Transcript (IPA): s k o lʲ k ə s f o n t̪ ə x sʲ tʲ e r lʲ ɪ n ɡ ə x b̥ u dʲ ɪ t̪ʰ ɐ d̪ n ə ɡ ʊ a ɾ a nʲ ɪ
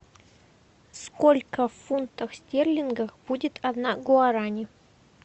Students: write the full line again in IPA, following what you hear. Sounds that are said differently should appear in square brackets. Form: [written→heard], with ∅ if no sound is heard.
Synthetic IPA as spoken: s k o lʲ k ə [s→f] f [o→u] n t̪ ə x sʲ tʲ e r lʲ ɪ n ɡ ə x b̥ u dʲ ɪ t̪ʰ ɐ d̪ n [ə→a] ɡ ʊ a ɾ a nʲ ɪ